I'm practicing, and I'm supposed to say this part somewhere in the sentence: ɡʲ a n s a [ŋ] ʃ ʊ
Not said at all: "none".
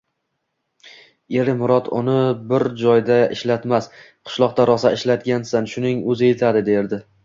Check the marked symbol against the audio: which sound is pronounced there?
n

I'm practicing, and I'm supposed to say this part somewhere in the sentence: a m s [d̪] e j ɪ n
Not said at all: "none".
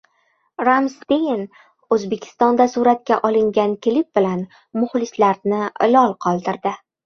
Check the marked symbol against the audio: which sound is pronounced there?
t̪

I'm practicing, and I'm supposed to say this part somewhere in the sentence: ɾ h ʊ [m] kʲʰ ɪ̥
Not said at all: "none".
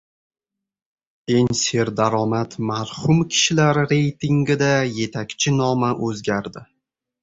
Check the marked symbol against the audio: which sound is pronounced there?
m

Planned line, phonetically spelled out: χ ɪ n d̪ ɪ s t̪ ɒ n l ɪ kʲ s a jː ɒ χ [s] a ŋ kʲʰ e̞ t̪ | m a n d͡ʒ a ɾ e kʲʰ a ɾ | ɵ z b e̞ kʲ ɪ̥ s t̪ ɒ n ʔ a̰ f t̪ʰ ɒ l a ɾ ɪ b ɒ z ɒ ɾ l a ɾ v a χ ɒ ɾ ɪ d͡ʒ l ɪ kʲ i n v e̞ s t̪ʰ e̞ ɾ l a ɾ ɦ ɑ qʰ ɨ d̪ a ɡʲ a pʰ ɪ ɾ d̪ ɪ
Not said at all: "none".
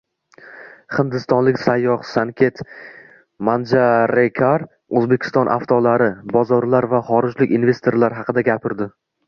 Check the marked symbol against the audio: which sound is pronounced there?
s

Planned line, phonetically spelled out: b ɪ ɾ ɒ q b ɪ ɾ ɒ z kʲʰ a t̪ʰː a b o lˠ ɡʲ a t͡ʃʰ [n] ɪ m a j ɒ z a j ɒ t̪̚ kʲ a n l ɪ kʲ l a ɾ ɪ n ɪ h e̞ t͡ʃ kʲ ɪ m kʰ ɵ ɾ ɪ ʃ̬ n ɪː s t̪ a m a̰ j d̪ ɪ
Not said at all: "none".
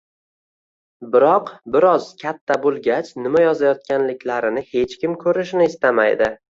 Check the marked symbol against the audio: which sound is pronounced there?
n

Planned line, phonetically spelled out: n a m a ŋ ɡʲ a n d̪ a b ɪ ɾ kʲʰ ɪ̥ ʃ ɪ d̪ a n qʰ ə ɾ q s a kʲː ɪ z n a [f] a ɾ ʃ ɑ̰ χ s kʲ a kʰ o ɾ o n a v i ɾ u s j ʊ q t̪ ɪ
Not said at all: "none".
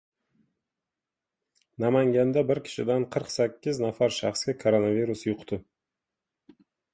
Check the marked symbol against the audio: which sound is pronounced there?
f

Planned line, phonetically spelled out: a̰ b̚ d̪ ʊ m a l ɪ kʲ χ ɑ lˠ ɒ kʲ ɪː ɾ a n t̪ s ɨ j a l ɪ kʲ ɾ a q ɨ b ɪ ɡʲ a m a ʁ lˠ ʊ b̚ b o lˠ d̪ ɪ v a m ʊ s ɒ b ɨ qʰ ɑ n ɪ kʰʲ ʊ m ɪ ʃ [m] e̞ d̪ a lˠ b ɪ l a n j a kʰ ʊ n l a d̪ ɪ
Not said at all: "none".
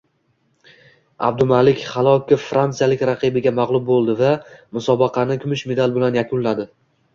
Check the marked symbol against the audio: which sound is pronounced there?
m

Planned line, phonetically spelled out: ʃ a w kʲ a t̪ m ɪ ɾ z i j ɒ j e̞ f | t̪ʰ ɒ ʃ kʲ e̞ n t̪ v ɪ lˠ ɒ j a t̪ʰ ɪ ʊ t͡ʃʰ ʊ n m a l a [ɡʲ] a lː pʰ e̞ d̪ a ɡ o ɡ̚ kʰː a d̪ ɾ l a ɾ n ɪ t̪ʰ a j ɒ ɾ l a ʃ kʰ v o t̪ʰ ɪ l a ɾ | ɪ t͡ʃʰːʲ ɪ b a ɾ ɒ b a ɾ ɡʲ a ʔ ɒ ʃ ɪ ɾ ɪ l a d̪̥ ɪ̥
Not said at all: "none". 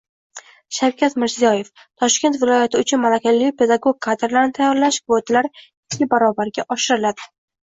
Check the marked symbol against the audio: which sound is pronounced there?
kʲ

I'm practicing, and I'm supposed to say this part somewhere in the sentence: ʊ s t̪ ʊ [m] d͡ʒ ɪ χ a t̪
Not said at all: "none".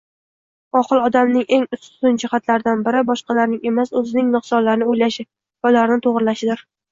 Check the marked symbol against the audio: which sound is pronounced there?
n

